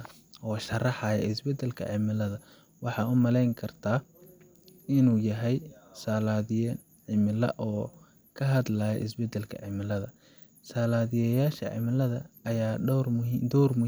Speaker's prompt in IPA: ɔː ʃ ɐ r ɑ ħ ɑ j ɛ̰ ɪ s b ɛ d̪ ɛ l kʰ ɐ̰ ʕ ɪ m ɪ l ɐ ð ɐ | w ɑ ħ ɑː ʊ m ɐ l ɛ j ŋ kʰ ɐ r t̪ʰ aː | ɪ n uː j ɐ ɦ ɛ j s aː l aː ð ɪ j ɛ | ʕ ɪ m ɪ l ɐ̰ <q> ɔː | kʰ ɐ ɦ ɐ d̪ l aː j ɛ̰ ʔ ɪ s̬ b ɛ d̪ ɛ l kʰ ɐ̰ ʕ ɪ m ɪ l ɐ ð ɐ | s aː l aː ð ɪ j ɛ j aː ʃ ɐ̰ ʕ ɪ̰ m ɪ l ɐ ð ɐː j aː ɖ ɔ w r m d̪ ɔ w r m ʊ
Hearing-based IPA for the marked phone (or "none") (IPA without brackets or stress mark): ʔ